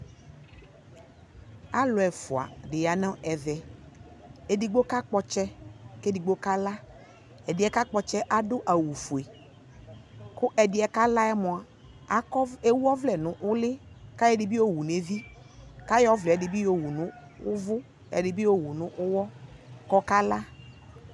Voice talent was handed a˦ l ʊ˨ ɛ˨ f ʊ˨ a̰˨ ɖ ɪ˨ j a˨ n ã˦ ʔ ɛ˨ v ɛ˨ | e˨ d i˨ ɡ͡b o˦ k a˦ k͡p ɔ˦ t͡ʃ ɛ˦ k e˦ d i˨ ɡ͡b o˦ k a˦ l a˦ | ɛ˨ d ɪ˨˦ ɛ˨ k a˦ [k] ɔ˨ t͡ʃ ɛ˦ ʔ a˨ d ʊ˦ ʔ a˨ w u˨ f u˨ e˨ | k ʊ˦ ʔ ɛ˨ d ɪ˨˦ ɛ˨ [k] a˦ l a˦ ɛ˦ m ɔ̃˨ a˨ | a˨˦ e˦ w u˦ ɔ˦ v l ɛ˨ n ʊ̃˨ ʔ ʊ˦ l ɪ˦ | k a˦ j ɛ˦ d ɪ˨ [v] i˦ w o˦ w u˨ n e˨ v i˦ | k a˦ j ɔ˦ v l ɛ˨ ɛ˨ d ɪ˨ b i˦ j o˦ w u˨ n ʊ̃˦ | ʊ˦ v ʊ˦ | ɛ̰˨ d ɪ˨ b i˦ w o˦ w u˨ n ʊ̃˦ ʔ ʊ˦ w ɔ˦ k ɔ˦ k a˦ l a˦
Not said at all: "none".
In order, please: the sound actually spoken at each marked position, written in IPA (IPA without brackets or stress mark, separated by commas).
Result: k͡p, k, b